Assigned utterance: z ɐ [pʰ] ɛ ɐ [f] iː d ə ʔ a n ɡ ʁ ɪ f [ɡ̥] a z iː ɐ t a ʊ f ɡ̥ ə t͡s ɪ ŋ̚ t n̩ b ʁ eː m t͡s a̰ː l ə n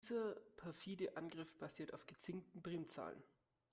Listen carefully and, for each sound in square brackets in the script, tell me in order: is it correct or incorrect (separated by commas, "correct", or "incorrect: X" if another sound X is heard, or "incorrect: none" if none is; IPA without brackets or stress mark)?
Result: correct, correct, incorrect: b̥